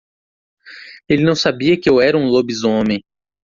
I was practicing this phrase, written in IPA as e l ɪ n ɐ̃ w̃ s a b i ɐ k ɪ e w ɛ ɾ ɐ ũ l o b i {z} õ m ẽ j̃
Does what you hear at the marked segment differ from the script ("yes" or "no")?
no